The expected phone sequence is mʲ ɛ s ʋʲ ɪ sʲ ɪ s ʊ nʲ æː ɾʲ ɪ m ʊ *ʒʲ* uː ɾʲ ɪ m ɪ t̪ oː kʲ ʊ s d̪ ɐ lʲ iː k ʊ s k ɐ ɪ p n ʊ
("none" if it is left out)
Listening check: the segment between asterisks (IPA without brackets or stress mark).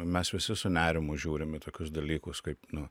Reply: ʒʲ